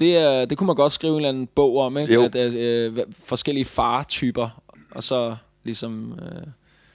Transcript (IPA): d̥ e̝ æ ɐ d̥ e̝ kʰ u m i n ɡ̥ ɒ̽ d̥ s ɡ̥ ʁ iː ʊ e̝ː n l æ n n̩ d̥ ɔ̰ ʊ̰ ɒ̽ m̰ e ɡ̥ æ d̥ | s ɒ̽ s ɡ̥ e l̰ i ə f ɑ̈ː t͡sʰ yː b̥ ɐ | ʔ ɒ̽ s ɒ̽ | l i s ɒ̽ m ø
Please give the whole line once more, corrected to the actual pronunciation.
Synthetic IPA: d̥ e̝ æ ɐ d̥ e̝ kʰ u m æ n ɡ̥ ɒ̽ d̥ s ɡ̥ ʁ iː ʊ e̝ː n l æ n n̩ b̥ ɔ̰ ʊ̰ ɒ̽ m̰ e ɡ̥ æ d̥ | f ɒ̽ s ɡ̥ e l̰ i ə f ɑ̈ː t͡sʰ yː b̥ ɐ | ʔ ɒ̽ s ɒ̽ | l i s ɒ̽ m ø